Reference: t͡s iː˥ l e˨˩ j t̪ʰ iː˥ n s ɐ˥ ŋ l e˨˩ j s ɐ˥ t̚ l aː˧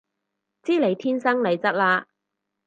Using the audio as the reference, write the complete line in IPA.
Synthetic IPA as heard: t͡s iː˥ l e˨˩ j t̪ʰ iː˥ n s ɐ˥ ŋ l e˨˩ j t͡s ɐ˥ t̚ l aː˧